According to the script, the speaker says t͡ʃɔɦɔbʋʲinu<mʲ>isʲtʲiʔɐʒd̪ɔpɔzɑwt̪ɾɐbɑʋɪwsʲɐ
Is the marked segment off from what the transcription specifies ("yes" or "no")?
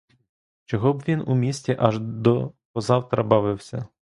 no